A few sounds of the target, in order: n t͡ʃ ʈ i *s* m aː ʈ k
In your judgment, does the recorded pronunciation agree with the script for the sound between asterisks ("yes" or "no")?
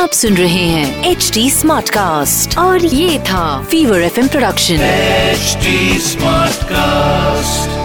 yes